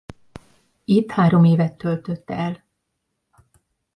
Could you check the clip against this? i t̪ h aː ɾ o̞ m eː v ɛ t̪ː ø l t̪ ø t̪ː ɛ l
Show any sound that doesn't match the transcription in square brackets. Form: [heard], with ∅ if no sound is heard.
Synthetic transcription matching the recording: i t̪ h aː ɾ o̞ m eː v ɛ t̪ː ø l t̪ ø t̪ː ɛ l